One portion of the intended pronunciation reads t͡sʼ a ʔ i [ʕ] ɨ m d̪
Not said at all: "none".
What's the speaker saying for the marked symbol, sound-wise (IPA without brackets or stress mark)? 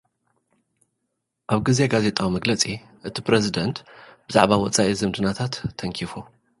z